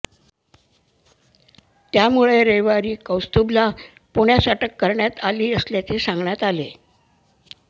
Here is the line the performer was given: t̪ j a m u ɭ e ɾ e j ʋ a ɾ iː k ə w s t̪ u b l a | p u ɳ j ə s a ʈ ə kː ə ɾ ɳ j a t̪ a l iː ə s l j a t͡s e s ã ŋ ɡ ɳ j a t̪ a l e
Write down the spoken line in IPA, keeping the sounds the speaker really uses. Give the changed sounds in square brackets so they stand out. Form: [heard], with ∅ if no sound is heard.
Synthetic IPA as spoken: t̪ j a m u ɭ e ɾ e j ʋ a ɾ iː k ə w s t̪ u b l a | p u ɳ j [a] s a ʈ ə kː ə ɾ ɳ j a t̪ a l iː ə s l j a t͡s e s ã ŋ ɡ ɳ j a t̪ a l e